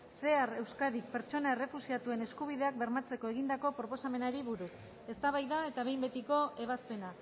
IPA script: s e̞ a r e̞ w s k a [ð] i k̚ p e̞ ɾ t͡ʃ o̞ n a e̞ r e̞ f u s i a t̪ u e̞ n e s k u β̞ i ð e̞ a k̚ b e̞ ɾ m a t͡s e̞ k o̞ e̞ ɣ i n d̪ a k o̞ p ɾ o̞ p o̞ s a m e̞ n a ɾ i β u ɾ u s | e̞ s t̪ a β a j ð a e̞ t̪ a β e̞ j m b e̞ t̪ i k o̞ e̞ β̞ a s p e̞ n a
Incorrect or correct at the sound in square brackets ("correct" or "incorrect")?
correct